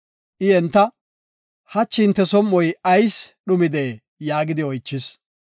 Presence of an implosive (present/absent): present